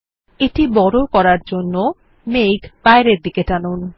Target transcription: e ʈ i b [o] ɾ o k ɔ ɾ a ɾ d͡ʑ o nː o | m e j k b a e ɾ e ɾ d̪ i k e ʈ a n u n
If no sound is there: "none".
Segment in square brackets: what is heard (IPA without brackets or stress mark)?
ɔ